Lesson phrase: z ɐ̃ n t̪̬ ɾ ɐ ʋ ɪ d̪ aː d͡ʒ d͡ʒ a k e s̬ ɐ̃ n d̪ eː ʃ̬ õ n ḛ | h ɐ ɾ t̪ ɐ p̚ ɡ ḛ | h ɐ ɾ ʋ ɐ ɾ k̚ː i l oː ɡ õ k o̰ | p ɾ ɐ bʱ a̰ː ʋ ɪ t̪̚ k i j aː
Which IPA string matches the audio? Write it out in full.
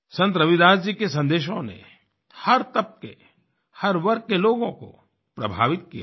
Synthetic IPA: s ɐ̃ n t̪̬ ɾ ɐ ʋ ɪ d̪ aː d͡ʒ d͡ʒ i k e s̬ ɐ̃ n d̪ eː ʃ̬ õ n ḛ | h ɐ ɾ t̪ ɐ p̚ k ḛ | h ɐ ɾ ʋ ɐ ɾ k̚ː e l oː ɡ õ k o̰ | p ɾ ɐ bʱ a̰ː ʋ ɪ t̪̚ k i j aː